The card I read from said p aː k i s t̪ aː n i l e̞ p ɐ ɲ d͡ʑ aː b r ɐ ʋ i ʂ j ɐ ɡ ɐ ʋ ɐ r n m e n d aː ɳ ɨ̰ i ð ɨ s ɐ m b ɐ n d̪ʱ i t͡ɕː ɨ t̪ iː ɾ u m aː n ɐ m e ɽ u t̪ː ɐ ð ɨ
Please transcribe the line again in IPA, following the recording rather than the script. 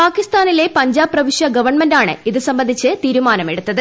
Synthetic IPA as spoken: p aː k i s t̪ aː n i l e̞ p ɐ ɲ d͡ʑ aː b r ɐ ʋ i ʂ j ɐ ɡ ɐ ʋ ɐ r ɳ m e n d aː ɳ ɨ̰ i ð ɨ s ɐ m b ɐ n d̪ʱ i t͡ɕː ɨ t̪ iː ɾ u m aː n ɐ m e ɽ u t̪ː ɐ ð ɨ